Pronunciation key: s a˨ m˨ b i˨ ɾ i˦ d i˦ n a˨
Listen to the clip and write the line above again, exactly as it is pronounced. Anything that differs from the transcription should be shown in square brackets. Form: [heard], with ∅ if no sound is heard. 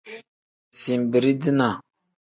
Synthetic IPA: s [i˨] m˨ b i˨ ɾ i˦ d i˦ n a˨